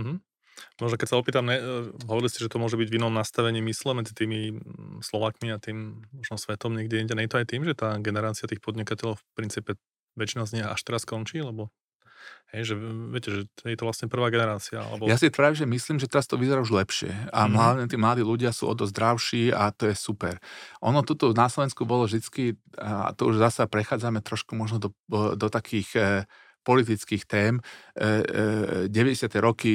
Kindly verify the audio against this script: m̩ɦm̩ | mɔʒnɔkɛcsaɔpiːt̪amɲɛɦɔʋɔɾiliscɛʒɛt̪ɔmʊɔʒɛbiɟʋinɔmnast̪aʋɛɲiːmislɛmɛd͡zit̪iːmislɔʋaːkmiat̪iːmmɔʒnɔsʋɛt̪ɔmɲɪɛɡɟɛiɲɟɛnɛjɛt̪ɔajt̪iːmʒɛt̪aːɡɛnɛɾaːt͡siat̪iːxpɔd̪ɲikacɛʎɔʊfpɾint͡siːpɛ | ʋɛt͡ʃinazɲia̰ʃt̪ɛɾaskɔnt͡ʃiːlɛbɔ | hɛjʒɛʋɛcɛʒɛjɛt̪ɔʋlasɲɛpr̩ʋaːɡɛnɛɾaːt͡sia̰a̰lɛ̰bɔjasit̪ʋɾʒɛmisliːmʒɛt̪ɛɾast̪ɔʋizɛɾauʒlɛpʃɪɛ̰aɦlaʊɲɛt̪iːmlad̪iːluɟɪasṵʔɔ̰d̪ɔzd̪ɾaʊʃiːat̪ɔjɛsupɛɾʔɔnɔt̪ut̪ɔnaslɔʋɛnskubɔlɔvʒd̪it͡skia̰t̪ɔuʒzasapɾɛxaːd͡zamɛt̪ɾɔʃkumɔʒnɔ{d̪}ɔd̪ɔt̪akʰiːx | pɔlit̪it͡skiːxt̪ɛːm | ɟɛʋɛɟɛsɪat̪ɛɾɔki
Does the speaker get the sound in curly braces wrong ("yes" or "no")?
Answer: no